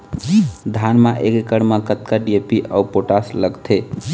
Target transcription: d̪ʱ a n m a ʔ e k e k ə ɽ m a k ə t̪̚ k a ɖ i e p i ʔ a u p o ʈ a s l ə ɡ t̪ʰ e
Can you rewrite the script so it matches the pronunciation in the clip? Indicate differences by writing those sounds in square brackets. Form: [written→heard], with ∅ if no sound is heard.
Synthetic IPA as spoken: d̪ʱ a n m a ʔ e k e k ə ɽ m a k ə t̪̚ k a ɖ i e p i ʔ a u p o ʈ a s l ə ɡ t̪ʰ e